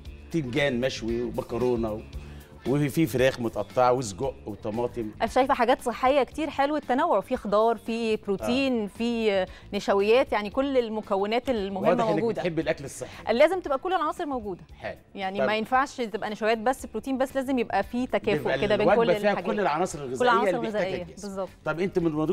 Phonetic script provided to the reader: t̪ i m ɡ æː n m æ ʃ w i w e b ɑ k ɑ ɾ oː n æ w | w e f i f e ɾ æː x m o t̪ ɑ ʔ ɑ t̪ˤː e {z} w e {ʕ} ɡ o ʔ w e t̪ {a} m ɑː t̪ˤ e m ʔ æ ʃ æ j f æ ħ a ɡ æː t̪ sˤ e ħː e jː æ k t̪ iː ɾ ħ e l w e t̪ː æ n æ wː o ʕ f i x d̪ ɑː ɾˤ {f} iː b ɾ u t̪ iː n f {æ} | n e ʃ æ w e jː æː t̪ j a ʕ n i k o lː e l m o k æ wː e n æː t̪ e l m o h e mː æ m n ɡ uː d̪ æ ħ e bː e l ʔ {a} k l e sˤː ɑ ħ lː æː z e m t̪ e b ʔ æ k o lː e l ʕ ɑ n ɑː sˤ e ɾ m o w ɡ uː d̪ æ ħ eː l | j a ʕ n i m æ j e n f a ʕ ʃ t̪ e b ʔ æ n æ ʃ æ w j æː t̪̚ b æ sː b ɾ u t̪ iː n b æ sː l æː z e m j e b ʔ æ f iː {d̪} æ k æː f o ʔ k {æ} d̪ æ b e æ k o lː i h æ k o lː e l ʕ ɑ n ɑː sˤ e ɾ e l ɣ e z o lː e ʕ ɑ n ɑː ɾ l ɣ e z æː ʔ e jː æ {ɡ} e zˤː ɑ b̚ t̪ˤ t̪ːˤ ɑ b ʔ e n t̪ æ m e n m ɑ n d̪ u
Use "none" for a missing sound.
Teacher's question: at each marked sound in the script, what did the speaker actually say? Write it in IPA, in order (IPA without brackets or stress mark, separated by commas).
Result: ʕ, z, ɑ, f, i, æ, t̪, e, b